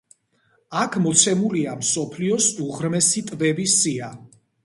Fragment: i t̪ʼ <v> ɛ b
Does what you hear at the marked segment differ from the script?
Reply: no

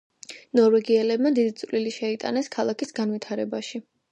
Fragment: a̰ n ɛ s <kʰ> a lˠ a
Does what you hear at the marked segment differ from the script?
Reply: no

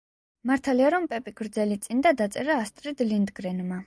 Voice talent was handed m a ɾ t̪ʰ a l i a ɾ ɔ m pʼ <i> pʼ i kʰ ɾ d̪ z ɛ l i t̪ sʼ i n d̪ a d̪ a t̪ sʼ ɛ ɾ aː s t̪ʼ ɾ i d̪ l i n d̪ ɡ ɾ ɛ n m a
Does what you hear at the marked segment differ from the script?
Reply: yes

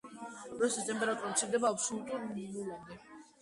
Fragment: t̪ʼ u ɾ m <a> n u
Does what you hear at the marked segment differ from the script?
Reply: yes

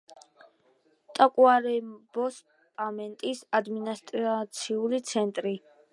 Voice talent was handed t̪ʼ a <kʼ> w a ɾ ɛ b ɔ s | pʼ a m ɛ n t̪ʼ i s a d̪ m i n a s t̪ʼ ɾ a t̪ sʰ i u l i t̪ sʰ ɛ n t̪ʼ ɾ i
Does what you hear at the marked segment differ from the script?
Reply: no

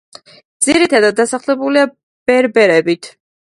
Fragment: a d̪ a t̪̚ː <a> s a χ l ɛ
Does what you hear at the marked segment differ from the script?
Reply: no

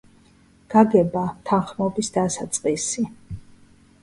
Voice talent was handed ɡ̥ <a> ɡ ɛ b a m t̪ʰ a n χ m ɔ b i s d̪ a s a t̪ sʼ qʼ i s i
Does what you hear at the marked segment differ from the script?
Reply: no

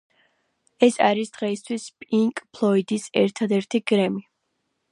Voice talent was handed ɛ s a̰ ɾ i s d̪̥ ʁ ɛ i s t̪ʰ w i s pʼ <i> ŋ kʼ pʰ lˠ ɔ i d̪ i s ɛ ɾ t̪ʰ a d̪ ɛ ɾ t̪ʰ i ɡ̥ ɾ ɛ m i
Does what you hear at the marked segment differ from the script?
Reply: no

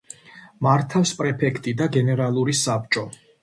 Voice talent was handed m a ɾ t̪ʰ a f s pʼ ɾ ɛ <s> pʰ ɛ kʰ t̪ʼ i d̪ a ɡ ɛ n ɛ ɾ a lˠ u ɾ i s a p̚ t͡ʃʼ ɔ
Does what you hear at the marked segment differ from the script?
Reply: yes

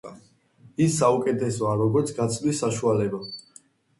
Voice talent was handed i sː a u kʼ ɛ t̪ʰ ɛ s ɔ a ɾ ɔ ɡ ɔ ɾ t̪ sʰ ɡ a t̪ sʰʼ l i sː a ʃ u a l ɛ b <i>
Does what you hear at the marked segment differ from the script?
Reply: yes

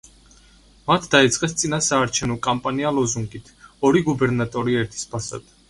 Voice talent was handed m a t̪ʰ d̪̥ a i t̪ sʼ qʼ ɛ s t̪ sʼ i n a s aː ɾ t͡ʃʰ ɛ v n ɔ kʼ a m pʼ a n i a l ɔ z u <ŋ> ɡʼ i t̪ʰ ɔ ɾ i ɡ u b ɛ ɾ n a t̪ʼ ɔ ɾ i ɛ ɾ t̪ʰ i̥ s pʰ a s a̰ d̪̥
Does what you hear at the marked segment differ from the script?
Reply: no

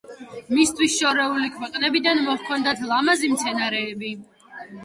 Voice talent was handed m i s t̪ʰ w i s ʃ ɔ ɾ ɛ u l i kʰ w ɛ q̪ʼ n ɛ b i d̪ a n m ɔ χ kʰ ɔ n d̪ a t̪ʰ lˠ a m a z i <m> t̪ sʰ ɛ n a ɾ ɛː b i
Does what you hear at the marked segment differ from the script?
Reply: no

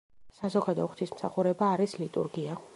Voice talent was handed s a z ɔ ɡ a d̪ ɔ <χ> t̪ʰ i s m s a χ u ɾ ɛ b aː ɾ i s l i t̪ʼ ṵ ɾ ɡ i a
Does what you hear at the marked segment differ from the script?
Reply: no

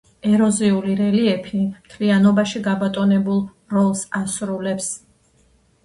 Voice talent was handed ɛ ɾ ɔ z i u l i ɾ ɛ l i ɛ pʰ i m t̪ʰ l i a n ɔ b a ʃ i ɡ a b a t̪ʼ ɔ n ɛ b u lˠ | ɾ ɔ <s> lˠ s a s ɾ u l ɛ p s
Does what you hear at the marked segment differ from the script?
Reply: yes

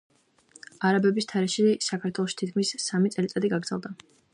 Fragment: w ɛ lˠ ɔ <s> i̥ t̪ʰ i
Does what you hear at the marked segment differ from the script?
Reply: yes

